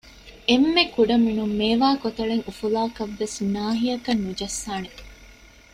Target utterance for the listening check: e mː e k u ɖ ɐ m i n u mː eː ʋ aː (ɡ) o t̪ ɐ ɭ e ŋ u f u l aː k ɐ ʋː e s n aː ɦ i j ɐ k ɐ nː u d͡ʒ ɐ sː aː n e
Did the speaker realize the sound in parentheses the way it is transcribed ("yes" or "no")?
no